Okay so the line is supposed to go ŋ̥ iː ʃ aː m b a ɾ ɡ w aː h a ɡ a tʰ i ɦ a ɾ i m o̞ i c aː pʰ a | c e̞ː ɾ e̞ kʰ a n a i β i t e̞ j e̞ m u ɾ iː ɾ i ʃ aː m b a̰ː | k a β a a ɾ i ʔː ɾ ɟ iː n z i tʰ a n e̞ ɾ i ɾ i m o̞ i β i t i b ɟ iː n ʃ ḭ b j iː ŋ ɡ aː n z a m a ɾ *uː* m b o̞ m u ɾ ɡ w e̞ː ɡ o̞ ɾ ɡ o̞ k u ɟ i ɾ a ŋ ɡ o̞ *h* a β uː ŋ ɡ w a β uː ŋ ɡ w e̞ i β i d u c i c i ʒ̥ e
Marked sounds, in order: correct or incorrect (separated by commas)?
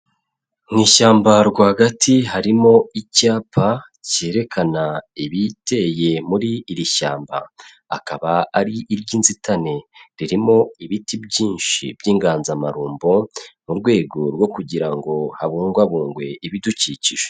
correct, correct